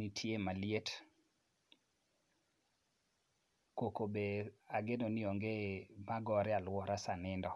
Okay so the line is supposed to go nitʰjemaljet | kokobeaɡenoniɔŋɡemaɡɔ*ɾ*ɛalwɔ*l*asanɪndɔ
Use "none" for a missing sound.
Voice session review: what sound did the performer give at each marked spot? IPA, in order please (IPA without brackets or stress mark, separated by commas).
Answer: ɾ, ɾ